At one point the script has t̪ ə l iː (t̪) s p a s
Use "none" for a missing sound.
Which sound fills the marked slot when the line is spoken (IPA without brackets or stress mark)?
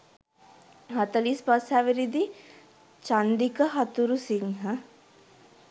none